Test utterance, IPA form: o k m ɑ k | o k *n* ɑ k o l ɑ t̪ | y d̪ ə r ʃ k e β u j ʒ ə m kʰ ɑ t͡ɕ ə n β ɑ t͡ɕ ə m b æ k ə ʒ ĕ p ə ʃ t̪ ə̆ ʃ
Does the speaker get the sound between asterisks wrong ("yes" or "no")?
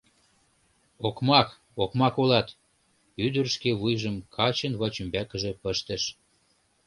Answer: yes